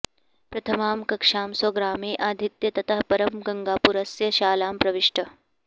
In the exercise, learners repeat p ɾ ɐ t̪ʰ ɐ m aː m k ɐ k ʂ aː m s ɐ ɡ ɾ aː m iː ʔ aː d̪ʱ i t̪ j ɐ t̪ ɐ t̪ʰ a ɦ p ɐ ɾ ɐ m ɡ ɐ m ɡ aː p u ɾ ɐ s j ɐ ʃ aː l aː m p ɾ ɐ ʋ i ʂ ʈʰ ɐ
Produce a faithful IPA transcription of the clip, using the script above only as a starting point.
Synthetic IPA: p ɾ ɐ t̪ʰ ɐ m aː m k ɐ k ʂ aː m s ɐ ɡ ɾ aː m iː ʔ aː d̪ʱ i t̪ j ɐ t̪ ɐ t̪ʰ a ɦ p ɐ ɾ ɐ m ɡ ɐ ŋ ɡ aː p u ɾ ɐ s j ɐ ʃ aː l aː m p ɾ ɐ ʋ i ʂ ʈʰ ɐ